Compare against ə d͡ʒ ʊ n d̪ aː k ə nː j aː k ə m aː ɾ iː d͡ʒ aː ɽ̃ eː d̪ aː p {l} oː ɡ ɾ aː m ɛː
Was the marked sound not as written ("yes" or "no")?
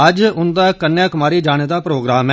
yes